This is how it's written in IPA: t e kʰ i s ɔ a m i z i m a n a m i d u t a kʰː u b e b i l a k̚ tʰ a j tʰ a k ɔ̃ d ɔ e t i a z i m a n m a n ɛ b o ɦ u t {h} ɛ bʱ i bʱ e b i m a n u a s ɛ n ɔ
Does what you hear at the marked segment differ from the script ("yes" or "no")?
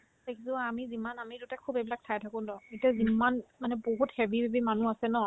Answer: no